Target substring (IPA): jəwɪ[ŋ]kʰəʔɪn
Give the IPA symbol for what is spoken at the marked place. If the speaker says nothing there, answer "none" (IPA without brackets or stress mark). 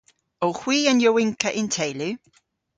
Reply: ŋ